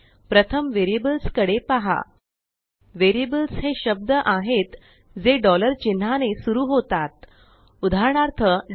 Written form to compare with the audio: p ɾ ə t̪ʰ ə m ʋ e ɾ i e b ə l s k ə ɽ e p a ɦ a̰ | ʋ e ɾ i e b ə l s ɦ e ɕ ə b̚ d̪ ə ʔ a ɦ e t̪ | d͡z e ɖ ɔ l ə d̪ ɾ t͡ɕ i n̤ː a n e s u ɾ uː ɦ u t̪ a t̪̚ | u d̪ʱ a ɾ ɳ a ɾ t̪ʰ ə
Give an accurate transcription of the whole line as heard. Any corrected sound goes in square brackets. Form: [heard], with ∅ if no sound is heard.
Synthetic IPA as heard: p ɾ ə t̪ʰ ə m ʋ e ɾ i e b ə l s k ə ɽ e p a ɦ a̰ | ʋ e ɾ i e b ə l s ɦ e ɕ ə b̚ d̪ ə ʔ a ɦ e t̪ | d͡z e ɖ ɔ l ə [∅] ɾ t͡ɕ i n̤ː a n e s u ɾ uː ɦ [o] t̪ a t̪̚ | u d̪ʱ a ɾ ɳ a ɾ t̪ʰ ə